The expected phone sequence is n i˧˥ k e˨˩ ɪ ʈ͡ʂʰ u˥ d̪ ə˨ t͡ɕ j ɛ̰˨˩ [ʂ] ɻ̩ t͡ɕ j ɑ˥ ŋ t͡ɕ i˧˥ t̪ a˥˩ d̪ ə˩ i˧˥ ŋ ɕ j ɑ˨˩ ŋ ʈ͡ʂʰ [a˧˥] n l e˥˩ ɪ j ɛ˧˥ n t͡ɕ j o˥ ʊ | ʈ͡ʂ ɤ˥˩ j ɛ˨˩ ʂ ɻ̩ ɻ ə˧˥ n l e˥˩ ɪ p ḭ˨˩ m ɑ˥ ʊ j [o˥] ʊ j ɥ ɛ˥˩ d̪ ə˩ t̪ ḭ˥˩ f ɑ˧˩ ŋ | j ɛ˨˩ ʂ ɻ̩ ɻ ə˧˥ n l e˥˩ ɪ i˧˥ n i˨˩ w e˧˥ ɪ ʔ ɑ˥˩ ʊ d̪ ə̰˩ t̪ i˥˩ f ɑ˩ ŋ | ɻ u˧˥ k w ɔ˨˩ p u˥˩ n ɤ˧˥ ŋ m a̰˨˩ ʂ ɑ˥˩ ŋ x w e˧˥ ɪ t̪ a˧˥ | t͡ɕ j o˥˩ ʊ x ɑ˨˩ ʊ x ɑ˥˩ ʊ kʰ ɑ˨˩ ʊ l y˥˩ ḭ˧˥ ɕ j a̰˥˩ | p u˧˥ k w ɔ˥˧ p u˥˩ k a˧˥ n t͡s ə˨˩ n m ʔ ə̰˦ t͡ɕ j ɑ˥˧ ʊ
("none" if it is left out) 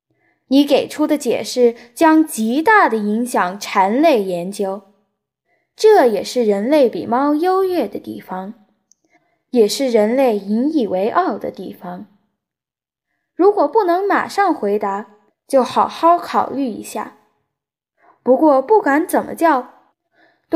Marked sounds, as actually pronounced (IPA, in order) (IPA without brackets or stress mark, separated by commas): ʂ, a˧˥, o˥